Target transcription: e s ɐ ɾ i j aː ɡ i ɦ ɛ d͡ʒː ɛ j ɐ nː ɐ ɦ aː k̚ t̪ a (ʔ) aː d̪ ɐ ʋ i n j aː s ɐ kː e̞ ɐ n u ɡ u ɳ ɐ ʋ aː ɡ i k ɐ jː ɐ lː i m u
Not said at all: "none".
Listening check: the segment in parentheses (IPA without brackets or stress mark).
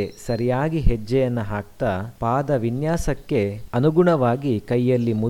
p